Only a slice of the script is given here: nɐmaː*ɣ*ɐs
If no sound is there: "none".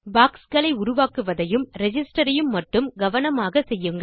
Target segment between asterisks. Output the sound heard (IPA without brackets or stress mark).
ɣ